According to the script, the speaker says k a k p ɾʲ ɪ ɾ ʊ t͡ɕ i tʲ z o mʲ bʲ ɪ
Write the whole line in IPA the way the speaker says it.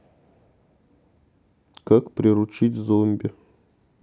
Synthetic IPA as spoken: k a k p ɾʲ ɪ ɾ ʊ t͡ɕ i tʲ z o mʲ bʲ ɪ